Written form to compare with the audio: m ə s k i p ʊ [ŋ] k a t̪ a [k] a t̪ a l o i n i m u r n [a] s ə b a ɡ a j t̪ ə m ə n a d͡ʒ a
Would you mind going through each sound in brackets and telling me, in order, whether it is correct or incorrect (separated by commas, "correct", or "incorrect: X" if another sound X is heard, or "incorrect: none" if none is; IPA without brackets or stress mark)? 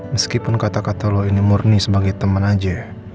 incorrect: n, correct, incorrect: i